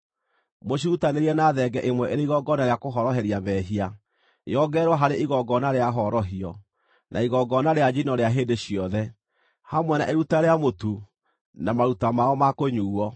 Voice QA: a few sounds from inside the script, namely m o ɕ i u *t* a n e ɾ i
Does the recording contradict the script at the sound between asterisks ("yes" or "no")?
no